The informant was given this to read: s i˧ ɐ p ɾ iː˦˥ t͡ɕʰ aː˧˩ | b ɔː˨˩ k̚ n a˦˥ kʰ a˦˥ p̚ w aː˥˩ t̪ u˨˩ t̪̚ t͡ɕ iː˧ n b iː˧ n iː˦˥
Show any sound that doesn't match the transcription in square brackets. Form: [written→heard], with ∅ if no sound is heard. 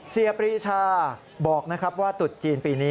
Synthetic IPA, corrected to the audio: s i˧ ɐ p ɾ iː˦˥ t͡ɕʰ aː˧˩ | b ɔː˨˩ k̚ n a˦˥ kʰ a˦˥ p̚ w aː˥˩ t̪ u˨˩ t̪̚ t͡ɕ iː˧ n [b→p] iː˧ n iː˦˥